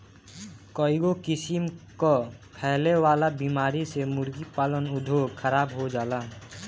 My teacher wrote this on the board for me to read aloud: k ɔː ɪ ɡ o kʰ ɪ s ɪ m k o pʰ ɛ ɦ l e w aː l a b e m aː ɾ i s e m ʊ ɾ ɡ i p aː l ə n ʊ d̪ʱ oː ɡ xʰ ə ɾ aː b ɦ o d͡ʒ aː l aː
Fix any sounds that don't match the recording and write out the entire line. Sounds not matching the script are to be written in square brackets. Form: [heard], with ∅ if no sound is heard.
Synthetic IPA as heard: k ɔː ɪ ɡ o [k] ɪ s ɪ m k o pʰ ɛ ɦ l e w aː l a b [i] m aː ɾ i s e m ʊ ɾ ɡ i p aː l ə n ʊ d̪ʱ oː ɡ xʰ ə ɾ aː b ɦ o d͡ʒ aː l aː